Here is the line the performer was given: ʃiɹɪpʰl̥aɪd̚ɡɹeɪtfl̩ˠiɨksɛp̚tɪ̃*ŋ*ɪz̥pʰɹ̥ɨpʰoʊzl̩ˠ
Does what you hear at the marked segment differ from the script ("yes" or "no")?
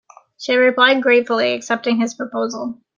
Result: no